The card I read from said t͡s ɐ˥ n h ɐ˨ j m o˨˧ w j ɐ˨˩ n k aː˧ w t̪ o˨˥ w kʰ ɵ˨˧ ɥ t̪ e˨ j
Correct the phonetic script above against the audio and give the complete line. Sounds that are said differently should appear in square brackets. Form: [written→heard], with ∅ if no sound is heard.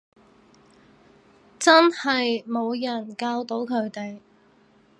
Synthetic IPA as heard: t͡s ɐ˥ n h ɐ˨ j m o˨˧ w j ɐ˨˩ n k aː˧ w t̪ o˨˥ w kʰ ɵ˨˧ ɥ t̪ e˨ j